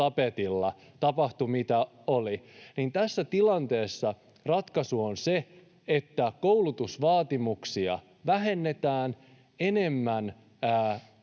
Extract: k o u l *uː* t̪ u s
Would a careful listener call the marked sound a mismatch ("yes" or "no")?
yes